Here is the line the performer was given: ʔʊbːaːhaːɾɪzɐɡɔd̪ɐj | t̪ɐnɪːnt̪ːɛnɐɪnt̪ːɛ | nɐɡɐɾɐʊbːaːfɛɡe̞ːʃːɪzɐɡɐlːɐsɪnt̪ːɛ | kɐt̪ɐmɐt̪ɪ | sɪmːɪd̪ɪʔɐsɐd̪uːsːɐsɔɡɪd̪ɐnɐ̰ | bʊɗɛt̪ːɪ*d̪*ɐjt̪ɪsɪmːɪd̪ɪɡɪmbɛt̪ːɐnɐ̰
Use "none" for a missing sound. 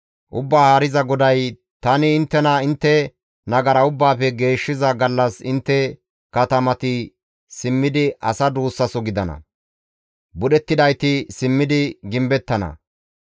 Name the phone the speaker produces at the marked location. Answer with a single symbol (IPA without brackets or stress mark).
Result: d̪